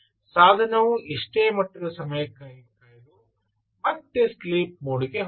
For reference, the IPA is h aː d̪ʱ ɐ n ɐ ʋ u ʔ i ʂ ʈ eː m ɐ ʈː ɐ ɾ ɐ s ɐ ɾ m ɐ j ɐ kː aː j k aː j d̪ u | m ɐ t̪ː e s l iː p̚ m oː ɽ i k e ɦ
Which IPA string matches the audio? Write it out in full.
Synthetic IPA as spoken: s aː d̪ʱ ɐ n ɐ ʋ u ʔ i ʂ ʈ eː m ɐ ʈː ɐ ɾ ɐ s ɐ m ɐ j ɐ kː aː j k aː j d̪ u | m ɐ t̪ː e s l iː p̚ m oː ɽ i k e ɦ